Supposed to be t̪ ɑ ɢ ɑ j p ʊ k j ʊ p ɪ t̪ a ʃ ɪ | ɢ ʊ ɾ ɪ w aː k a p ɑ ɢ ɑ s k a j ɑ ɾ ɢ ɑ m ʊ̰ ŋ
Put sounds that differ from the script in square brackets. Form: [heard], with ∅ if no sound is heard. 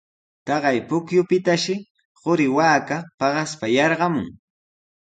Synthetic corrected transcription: t̪ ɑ ɢ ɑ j p ʊ k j ʊ p ɪ t̪ a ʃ ɪ | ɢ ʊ ɾ ɪ w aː k a p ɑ ɢ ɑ s [p] a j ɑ ɾ ɢ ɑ m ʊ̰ ŋ